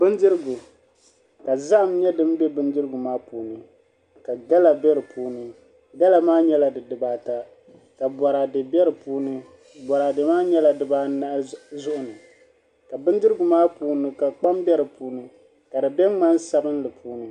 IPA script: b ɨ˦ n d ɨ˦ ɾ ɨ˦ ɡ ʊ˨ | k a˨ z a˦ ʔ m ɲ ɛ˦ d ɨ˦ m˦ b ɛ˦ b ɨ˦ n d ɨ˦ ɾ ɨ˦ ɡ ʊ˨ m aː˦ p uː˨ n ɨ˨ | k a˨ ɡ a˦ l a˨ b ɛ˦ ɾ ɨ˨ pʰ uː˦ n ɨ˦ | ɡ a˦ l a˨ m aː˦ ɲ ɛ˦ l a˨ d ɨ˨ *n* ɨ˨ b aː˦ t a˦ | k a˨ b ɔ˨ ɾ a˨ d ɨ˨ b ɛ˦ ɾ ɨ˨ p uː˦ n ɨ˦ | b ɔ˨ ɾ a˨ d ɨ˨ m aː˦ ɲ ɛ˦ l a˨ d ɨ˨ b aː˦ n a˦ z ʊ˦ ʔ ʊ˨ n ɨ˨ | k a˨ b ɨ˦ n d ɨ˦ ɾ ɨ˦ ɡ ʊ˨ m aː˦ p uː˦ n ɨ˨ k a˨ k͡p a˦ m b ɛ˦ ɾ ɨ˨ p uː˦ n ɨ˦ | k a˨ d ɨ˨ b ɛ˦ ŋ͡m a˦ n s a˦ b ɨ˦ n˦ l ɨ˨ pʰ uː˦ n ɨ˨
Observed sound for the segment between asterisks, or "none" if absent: d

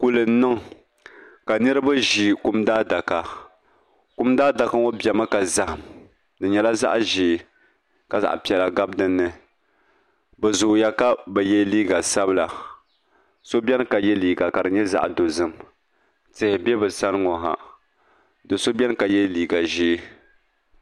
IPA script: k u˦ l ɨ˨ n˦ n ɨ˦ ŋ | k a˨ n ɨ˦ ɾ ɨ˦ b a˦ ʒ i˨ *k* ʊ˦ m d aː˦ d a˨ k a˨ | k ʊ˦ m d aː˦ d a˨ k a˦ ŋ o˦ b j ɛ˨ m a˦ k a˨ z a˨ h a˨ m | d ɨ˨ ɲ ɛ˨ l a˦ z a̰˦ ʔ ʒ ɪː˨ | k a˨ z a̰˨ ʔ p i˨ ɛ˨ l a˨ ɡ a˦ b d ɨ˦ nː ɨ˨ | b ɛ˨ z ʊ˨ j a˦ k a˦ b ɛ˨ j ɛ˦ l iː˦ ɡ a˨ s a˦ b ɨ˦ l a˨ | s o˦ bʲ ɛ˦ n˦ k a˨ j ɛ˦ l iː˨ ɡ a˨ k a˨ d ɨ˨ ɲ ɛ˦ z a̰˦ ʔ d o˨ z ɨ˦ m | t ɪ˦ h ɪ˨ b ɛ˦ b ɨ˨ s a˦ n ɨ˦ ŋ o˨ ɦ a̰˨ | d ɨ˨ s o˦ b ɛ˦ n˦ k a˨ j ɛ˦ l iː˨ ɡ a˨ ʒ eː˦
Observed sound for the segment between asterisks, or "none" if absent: k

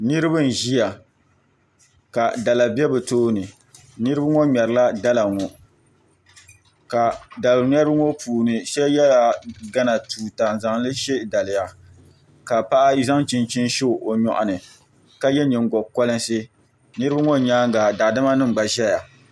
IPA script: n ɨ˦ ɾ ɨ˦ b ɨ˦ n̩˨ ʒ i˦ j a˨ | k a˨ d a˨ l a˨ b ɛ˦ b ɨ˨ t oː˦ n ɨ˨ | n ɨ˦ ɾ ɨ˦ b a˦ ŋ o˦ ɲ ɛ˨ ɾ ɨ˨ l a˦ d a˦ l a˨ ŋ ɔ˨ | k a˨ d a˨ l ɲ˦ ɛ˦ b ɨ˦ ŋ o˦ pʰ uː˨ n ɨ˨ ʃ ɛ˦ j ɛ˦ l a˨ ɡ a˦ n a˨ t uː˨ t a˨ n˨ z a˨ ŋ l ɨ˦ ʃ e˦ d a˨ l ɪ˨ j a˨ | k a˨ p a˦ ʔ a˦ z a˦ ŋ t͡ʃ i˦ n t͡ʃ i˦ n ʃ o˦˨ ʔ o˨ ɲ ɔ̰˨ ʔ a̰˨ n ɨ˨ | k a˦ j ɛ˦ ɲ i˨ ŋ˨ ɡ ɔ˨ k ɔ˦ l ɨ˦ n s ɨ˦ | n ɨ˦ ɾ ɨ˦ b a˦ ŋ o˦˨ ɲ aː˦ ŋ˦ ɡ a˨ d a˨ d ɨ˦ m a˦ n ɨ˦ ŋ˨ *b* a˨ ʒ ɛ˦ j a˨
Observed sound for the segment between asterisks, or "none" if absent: ɡ͡b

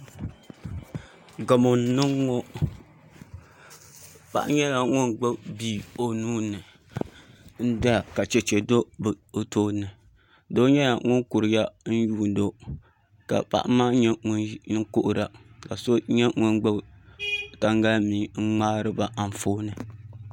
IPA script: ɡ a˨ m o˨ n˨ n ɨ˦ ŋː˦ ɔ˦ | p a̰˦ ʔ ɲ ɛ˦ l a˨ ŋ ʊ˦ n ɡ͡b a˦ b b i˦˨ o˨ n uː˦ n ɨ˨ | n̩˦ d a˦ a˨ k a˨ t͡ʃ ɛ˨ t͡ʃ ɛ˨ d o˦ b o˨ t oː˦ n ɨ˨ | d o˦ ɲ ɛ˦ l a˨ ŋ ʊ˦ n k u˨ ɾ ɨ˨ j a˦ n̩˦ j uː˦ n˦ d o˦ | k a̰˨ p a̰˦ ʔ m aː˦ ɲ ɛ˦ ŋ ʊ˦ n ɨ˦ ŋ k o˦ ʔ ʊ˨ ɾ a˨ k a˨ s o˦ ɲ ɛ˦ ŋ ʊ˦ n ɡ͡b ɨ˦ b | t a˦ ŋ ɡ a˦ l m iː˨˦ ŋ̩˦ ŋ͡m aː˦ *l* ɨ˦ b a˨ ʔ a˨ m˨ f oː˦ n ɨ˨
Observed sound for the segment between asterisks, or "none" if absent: ɾ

